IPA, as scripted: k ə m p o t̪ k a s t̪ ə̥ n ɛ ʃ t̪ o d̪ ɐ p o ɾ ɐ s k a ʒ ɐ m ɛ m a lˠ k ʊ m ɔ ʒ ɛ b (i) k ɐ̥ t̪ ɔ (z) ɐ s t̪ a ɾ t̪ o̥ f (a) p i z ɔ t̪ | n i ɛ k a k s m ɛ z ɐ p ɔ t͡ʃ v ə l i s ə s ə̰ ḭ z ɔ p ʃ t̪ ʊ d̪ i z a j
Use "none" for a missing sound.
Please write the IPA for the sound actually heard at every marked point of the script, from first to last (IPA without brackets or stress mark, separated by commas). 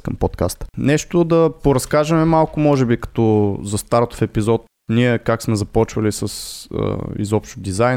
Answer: i, z, ɛ